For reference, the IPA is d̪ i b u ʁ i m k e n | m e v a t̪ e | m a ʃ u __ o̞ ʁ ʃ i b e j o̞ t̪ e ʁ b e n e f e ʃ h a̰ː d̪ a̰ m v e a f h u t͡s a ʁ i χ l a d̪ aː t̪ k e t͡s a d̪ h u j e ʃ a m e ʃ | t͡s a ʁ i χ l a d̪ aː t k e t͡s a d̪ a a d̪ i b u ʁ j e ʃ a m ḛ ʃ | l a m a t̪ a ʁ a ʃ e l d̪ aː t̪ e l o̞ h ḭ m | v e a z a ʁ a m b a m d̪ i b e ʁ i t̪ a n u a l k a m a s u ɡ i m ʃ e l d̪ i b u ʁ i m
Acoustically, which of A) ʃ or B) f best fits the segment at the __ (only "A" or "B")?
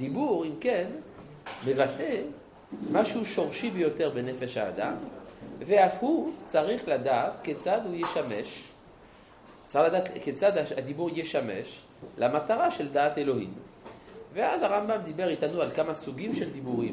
A